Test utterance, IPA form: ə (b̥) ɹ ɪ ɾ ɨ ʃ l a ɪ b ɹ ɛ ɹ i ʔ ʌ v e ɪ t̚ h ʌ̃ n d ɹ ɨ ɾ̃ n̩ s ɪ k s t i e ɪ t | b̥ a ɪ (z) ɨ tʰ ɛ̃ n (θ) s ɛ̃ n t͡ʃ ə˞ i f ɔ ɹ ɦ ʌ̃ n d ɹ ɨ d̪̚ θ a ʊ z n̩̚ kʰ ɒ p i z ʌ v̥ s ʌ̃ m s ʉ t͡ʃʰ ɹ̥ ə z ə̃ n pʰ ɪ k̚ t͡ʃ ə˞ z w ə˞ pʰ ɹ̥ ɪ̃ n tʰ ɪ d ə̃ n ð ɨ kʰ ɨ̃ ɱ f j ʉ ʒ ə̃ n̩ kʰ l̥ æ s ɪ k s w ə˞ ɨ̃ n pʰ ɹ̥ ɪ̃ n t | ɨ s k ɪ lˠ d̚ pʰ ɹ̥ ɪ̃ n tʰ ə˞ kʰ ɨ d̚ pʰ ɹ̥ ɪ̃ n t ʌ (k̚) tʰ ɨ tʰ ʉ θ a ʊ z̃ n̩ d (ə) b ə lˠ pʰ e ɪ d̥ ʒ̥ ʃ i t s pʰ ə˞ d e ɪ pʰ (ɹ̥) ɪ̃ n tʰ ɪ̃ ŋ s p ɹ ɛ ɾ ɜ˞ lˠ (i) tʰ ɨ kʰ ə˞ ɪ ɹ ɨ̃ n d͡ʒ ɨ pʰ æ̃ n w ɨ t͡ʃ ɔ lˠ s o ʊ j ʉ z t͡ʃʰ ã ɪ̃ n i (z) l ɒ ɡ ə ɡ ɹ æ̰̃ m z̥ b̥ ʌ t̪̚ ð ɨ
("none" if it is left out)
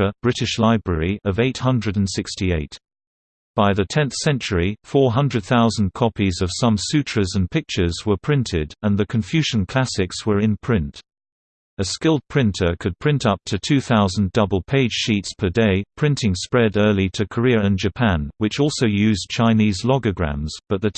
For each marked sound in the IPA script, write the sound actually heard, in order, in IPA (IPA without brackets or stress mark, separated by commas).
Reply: b̥, ð, θ, p̚, ʌ, ɹ̥, i, z